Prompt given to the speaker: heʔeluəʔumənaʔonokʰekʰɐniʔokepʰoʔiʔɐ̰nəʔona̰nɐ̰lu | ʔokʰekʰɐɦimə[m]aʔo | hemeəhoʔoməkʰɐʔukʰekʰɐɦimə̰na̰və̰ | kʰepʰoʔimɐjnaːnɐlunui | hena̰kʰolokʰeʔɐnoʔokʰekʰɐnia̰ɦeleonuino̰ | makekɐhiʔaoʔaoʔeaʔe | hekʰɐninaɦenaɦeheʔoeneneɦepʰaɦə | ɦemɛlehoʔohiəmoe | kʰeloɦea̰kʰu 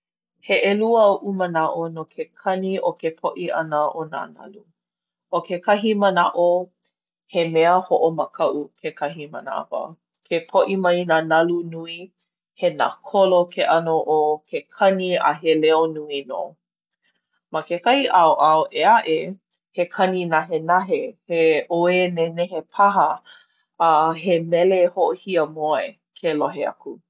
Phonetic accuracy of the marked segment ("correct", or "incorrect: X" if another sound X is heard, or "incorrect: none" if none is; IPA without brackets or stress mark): incorrect: n